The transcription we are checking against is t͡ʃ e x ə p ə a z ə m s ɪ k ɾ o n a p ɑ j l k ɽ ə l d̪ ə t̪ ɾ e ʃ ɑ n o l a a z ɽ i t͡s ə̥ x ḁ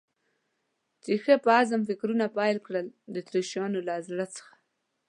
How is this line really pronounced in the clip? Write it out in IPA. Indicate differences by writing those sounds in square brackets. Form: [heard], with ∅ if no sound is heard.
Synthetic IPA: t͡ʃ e x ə p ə a z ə m [f] ɪ k ɾ [u] n a p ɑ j l k ɽ ə l d̪ ə t̪ ɾ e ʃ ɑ n o l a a z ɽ [a] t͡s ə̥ x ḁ